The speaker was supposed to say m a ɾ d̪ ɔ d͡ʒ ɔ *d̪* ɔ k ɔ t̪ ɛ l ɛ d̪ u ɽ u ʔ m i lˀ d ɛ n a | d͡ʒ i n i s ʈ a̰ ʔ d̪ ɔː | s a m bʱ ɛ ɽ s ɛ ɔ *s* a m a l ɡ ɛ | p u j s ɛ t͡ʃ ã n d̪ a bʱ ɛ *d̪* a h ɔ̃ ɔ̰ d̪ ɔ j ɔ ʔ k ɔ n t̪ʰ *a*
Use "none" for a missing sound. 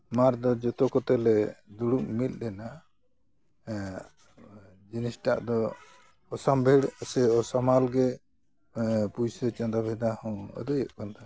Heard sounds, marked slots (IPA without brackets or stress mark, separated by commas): t̪, s, d̪, a